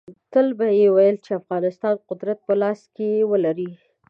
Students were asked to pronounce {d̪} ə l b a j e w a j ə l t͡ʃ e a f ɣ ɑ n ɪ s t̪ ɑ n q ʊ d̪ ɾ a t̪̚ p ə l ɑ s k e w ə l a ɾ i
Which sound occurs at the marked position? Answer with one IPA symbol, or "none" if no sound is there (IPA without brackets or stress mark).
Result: t̪